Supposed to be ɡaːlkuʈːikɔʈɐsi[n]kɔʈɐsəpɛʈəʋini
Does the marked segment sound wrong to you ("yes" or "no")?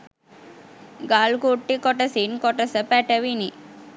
no